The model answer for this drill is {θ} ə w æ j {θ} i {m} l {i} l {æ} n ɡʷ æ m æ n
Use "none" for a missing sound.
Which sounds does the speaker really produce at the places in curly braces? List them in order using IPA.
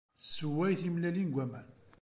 s, θ, m, æ, i

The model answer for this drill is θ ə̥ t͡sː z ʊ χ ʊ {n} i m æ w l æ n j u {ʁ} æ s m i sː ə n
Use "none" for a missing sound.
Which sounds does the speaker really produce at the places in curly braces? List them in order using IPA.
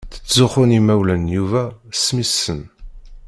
n, v

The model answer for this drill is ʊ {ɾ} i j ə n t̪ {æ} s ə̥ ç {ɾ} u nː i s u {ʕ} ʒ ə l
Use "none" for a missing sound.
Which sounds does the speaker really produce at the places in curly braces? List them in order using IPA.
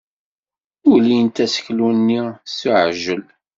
l, æ, l, ʕ

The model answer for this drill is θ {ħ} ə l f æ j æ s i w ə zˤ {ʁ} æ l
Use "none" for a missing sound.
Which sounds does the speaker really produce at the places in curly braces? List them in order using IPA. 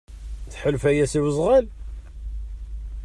ħ, ʁ

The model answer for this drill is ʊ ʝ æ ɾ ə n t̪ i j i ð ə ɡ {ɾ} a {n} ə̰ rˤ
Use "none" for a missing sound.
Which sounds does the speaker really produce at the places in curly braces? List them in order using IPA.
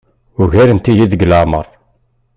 l, m

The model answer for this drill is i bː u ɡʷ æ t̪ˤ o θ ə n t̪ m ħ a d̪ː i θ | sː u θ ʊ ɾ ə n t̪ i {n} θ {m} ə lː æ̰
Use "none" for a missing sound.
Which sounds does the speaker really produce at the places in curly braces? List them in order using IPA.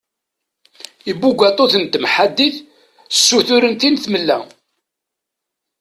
n, m

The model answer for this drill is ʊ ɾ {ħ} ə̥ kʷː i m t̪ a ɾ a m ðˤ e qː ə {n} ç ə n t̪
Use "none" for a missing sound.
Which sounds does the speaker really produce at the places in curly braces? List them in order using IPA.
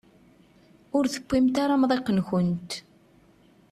θ, n

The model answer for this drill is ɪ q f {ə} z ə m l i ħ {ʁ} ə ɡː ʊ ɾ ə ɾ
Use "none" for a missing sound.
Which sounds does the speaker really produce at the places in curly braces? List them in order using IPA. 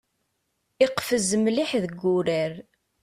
ə, ð

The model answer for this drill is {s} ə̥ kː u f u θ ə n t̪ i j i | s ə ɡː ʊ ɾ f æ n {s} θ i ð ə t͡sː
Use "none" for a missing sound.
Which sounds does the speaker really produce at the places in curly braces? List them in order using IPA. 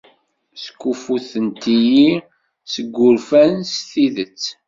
s, s

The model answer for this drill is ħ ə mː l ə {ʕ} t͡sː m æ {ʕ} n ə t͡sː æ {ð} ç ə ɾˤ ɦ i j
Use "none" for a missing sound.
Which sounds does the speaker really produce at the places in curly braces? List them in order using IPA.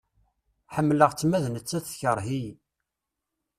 ʁ, ð, θ

